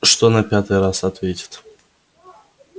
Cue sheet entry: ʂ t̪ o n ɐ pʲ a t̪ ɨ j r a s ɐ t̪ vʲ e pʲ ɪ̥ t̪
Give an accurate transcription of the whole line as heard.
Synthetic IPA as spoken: ʂ t̪ o n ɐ pʲ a t̪ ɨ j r a s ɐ t̪ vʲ e tʲ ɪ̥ t̪